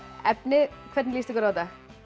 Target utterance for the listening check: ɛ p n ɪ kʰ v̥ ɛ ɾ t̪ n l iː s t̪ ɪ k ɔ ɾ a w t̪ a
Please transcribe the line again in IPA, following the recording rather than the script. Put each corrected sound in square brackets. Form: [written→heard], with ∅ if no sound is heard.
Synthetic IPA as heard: ɛ p n ɪ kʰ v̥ ɛ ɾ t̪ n l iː s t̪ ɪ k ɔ ɾ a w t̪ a

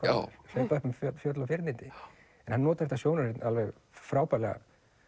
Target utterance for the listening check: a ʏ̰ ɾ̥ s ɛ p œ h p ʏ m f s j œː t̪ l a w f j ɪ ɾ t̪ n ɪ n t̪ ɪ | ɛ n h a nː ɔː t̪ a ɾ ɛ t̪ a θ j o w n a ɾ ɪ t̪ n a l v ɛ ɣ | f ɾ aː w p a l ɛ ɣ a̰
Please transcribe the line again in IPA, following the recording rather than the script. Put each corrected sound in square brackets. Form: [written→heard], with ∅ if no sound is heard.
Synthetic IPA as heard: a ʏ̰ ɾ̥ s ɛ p œ h p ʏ m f [s→f] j [œː→œ] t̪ l a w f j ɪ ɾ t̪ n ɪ n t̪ ɪ | ɛ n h a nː ɔː t̪ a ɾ ɛ t̪ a [θ→s] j o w n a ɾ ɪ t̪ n a l v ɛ ɣ | f ɾ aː w p a l ɛ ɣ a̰

